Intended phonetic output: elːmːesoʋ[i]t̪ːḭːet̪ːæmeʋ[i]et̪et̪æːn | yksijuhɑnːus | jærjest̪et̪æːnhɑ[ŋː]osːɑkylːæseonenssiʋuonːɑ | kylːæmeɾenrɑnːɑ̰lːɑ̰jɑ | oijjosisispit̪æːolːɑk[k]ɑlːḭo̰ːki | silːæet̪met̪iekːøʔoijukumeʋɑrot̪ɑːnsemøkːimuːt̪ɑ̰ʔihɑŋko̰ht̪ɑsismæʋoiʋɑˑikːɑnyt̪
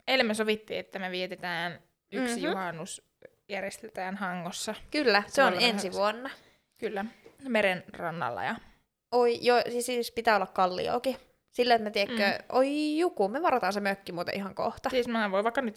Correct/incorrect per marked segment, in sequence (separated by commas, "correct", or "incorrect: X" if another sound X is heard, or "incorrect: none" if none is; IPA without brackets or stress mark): correct, correct, correct, correct